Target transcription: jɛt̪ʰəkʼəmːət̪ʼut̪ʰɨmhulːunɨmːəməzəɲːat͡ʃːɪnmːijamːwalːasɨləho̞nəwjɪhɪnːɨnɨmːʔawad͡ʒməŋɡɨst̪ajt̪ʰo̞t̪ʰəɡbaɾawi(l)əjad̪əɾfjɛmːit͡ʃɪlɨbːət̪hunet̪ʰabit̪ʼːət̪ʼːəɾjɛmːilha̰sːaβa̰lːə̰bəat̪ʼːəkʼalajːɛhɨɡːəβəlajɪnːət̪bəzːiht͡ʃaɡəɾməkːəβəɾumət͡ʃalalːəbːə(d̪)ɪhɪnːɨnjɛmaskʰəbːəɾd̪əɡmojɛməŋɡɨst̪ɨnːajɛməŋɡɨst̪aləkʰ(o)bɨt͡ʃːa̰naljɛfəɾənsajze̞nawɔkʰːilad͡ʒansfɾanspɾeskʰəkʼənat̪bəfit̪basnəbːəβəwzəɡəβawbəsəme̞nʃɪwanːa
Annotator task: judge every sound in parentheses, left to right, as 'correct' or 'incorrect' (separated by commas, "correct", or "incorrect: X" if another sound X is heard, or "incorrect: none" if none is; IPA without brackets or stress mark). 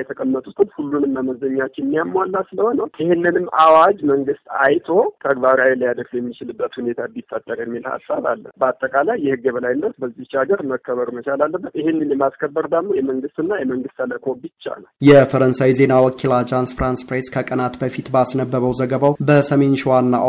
correct, incorrect: t̪, correct